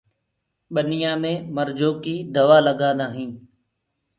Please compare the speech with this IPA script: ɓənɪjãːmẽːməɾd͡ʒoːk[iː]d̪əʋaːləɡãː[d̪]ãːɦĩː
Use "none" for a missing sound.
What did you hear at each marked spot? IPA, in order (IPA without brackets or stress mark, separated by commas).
iː, d̪